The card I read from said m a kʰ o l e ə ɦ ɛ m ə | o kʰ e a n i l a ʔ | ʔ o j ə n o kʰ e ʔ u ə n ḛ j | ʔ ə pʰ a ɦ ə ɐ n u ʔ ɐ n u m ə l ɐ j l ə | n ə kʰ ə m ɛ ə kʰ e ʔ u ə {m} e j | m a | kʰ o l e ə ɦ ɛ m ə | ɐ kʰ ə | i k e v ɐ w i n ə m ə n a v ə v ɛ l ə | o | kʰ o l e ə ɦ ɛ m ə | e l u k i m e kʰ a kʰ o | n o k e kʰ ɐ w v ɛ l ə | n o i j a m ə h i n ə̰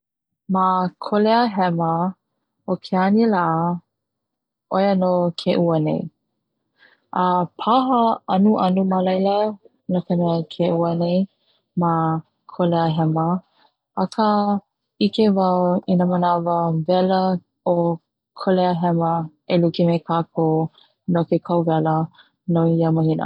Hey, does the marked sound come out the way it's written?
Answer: no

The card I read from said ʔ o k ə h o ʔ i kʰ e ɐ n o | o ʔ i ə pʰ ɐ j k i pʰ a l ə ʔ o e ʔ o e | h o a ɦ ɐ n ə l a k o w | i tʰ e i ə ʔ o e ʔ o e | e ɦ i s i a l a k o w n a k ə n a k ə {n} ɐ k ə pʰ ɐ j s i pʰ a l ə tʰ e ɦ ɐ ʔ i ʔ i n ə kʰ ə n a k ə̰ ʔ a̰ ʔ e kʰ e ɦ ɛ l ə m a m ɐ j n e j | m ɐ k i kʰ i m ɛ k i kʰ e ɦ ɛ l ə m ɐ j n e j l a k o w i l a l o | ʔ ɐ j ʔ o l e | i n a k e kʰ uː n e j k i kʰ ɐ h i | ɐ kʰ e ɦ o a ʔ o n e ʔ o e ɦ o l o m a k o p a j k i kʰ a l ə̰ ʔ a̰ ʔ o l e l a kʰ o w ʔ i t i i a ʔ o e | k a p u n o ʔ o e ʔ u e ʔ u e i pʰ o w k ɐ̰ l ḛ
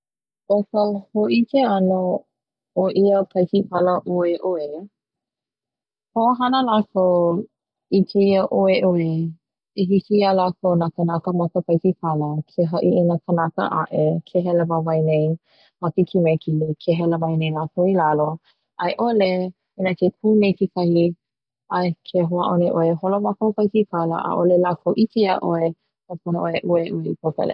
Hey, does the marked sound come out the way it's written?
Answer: no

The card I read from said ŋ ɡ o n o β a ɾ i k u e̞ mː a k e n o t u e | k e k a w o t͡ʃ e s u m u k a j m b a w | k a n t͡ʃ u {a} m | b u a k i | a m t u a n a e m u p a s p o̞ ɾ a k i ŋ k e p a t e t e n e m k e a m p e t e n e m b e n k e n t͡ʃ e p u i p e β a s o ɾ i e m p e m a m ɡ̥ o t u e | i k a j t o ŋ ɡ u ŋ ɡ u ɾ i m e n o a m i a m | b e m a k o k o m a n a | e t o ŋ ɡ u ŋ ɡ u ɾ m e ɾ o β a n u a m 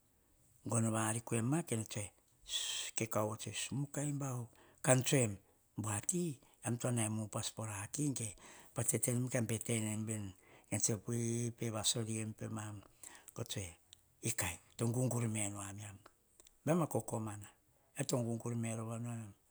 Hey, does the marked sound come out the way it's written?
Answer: no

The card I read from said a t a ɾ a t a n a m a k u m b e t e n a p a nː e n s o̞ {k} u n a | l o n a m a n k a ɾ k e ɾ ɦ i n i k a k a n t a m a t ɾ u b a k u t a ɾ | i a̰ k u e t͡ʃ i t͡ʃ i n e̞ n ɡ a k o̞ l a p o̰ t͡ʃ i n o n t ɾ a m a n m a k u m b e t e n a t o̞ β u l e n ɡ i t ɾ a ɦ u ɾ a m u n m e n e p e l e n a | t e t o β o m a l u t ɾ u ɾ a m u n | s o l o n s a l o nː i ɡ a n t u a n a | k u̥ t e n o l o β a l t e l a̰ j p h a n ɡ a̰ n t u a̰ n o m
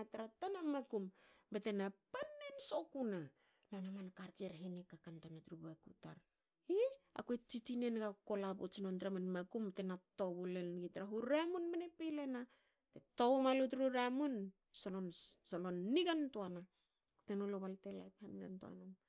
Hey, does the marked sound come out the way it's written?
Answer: yes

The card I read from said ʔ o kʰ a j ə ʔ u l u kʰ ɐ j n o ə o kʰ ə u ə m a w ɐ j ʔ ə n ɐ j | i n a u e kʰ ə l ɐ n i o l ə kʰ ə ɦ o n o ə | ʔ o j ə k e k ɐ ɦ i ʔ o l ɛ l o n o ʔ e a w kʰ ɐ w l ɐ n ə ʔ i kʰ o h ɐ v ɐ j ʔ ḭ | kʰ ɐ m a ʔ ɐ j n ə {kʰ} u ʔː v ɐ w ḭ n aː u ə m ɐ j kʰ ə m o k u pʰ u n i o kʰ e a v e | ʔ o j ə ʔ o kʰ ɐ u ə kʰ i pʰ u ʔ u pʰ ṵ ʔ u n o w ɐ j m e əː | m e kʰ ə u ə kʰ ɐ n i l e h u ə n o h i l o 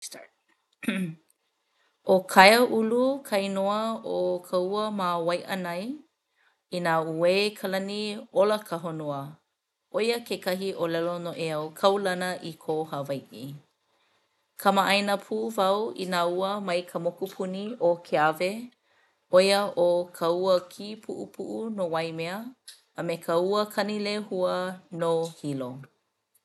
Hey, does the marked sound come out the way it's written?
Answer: no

